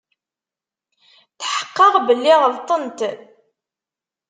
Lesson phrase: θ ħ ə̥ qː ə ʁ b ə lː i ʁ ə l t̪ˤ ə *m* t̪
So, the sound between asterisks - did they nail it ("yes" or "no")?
no